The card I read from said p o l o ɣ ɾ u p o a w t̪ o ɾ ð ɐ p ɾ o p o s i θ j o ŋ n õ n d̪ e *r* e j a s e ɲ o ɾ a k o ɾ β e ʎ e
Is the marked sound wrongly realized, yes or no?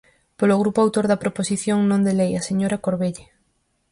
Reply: yes